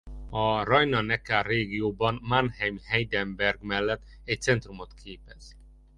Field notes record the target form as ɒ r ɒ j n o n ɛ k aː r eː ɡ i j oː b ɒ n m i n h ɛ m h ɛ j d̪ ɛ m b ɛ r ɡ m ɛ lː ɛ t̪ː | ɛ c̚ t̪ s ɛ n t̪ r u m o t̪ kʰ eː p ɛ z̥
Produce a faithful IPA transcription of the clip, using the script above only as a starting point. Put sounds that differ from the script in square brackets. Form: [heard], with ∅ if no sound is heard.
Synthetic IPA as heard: ɒ r ɒ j n [ɒ] n ɛ k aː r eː ɡ i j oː b ɒ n m [a] n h ɛ m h ɛ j d̪ ɛ m b ɛ r ɡ m ɛ lː ɛ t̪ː | ɛ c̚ t̪ s ɛ n t̪ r u m o t̪ kʰ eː p ɛ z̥